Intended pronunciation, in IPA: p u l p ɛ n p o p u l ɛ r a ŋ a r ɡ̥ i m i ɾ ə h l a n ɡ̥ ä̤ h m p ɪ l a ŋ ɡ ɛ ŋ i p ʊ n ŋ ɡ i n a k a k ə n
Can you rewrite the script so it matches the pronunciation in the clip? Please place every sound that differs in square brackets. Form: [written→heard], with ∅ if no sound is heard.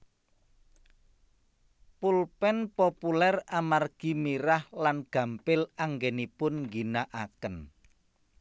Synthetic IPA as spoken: p u l p ɛ n p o p u l ɛ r a [ŋ→m] a r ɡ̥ i m i ɾ [ə→a] h l a n ɡ̥ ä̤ [h→∅] m p ɪ l a ŋ ɡ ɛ [ŋ→n] i p ʊ n ŋ ɡ i n a [k→ʔ] a k ə n

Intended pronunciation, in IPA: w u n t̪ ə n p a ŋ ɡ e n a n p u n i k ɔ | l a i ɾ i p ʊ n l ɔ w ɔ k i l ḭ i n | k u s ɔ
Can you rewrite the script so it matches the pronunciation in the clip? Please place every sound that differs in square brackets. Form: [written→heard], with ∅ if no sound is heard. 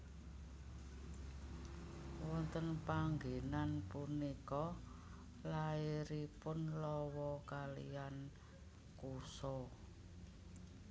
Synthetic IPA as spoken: w [u→ɔ] n t̪ ə n p a ŋ ɡ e n a n p u n i k ɔ | l a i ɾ i p ʊ n l ɔ w ɔ k [i→a] l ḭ [i→a] n | k u s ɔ

